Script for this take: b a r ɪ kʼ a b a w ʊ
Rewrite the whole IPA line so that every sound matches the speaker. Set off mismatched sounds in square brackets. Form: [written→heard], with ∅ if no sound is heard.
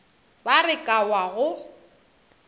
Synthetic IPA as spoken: b a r ɪ kʼ a [b→w] a [w→ɣ] ʊ